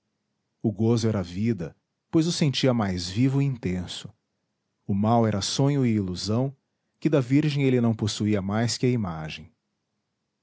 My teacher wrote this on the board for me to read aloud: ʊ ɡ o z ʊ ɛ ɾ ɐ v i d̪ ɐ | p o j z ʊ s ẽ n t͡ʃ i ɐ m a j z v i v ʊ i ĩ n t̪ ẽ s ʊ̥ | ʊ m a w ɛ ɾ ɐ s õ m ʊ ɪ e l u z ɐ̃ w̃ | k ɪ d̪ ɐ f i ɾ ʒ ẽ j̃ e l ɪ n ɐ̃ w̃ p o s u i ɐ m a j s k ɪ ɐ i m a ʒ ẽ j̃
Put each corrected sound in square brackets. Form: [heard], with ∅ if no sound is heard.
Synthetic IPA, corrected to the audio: ʊ ɡ o z ʊ ɛ ɾ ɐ v i d̪ ɐ | p o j z ʊ s ẽ n t͡ʃ i ɐ m a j z v i v ʊ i ĩ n t̪ ẽ s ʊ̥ | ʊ m a w ɛ ɾ ɐ s õ [ɲ] ʊ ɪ [i] l u z ɐ̃ w̃ | k ɪ d̪ ɐ [v] i ɾ ʒ ẽ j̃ e l ɪ n ɐ̃ w̃ p o s u i ɐ m a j s k ɪ ɐ i m a ʒ ẽ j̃